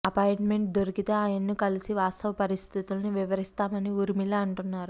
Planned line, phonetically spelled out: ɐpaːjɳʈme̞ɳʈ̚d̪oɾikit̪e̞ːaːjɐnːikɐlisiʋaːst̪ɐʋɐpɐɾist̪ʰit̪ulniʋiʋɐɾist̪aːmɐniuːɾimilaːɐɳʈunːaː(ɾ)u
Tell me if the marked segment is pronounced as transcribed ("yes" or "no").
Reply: yes